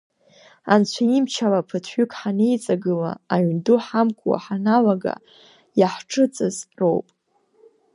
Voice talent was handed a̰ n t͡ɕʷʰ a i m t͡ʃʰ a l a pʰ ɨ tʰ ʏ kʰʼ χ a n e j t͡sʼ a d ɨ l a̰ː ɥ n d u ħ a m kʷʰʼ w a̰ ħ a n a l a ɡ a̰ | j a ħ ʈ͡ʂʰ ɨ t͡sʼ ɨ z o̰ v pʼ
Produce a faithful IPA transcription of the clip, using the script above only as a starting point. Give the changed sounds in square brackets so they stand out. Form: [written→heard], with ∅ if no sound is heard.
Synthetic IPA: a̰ n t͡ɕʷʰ a i m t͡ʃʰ a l a pʰ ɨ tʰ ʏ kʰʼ [χ→ħ] a n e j t͡sʼ a [d→ɡ] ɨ l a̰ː ɥ n d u ħ a m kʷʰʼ w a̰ ħ a n a l a ɡ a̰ | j a ħ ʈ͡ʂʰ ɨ t͡sʼ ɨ z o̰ [v→w] pʼ